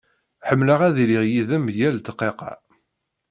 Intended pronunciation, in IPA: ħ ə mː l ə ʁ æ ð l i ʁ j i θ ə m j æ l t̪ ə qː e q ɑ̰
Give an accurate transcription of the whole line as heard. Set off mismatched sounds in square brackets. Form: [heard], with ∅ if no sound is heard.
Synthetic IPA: ħ ə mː l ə ʁ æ ð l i ʁ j i [ð] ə m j æ l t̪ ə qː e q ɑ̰

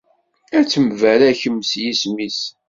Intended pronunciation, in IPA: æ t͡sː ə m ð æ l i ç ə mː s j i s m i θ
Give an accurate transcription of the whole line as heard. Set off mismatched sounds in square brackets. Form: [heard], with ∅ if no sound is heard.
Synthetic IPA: æ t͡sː ə m [v] æ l [æ] ç ə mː s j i s m i [s]

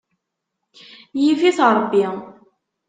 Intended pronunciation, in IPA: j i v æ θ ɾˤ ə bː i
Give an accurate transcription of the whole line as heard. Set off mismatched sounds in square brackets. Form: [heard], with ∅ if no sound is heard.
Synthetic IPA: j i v [i] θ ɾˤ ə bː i

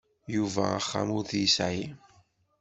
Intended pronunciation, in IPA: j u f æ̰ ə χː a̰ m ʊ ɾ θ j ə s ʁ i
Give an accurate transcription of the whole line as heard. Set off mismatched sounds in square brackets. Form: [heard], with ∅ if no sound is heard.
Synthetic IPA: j u [v] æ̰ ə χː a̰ m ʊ ɾ θ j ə s [ʕ] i

